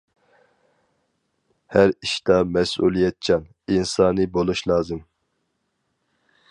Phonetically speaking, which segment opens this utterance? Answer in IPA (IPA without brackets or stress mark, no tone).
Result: h